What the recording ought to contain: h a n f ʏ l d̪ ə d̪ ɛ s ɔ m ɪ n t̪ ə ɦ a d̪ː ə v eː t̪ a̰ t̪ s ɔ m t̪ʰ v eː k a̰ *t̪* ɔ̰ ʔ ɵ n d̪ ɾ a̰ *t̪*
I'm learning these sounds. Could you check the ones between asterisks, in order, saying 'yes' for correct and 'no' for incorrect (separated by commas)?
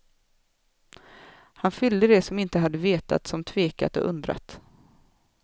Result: yes, yes